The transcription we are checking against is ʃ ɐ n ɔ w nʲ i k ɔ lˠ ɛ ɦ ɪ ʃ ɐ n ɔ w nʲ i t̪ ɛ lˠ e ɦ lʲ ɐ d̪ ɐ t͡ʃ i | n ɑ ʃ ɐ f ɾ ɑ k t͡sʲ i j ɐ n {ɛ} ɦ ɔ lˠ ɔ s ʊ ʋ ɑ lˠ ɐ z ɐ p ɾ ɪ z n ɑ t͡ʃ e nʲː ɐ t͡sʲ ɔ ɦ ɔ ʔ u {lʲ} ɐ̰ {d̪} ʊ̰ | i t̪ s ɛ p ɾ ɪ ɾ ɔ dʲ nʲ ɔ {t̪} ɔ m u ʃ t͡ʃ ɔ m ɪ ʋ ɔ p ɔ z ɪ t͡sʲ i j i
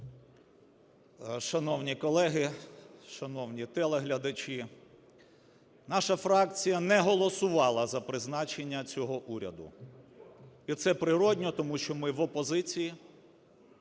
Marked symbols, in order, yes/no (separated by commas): yes, no, yes, yes